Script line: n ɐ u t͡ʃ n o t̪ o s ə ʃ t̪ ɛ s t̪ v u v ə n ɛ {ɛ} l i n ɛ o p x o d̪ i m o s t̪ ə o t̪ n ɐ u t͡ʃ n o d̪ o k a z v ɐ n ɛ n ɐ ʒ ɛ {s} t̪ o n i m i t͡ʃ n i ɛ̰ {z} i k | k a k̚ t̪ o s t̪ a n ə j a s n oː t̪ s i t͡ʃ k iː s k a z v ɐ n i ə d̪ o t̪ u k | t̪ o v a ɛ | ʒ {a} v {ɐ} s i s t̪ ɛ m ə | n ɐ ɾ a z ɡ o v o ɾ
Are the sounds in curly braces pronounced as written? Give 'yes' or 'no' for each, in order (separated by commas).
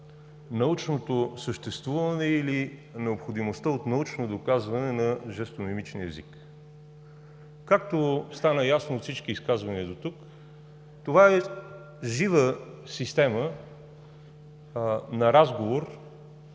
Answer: no, yes, yes, no, no